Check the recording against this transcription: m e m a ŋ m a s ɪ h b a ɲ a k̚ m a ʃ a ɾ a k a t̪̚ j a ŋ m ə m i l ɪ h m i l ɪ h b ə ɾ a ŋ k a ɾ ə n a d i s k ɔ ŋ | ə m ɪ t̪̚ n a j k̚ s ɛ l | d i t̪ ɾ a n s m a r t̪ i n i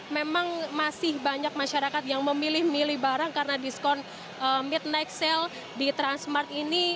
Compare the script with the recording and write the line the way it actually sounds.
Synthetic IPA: m e m a ŋ m a s ɪ h b a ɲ a k̚ m a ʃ a ɾ a k a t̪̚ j a ŋ m ə m i l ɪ h m i l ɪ h b a ɾ a ŋ k a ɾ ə n a d i s k ɔ n | ə m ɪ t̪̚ n a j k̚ s ɛ l | d i t̪ ɾ a n s m a r t̪ i n i